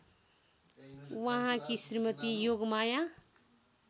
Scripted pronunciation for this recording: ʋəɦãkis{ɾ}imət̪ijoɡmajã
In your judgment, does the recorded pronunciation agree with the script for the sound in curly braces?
yes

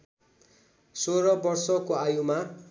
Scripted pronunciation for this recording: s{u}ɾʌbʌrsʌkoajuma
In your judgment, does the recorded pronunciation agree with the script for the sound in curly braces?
no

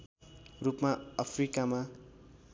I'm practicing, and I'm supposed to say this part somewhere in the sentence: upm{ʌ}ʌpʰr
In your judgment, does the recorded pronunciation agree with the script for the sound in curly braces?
no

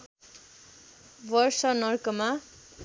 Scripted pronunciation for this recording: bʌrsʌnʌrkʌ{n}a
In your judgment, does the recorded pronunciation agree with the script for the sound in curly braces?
no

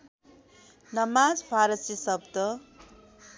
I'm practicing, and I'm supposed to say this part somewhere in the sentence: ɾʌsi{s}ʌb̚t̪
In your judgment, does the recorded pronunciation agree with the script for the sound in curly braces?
yes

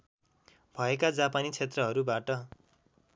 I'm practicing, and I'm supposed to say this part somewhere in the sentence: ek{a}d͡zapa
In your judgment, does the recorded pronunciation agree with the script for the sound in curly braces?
yes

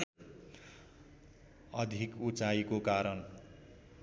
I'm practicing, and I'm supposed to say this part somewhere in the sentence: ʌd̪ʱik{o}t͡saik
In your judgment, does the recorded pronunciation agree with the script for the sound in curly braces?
no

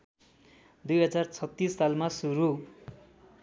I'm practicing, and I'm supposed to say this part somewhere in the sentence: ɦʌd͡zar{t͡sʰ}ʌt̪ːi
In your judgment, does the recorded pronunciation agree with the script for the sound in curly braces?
yes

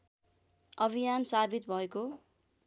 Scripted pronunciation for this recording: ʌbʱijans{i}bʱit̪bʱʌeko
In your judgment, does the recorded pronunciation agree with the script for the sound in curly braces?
no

